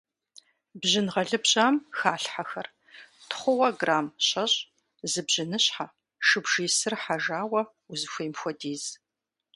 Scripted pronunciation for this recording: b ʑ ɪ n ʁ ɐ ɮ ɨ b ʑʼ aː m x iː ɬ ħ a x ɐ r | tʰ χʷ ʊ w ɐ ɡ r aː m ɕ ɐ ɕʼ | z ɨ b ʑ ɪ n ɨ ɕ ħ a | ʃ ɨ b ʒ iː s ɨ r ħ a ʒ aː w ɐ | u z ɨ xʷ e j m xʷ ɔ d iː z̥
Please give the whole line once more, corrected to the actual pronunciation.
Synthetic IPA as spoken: b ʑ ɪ n ʁ ɐ ɮ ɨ b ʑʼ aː m x aː ɬ ħ a x ɐ r | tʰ χʷ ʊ w ɐ ɡ r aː m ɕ ɐ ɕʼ | z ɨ b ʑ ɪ n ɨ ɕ ħ a | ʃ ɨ b ʒ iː s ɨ r ħ a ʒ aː w ɐ | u z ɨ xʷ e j m xʷ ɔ d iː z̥